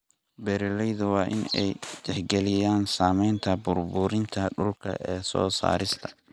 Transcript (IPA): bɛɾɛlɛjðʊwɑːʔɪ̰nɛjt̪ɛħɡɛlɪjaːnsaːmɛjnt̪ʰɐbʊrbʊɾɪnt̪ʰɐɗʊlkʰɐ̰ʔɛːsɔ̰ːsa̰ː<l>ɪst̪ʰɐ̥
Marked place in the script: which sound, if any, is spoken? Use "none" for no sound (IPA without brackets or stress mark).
ɾ